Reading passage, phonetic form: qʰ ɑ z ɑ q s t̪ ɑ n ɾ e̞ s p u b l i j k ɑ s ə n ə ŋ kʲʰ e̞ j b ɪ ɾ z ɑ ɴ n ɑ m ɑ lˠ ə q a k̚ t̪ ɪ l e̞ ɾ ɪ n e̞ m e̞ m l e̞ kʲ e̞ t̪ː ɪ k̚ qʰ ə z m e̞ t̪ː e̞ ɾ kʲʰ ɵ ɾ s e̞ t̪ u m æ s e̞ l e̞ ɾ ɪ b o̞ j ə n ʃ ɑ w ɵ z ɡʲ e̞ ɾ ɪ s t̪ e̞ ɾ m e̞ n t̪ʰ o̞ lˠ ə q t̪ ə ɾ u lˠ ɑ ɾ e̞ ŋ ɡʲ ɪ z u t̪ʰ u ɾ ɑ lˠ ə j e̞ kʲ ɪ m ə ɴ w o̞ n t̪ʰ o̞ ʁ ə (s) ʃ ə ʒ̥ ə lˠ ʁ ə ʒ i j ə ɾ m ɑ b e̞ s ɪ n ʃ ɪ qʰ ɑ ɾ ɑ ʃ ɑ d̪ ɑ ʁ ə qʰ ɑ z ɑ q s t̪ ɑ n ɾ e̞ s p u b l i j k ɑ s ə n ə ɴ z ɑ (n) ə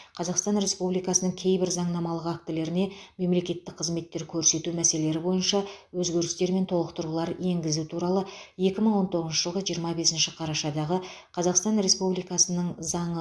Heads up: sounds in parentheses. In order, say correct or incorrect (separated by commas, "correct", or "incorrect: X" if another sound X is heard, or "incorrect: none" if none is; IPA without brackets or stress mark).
incorrect: z, incorrect: ɴ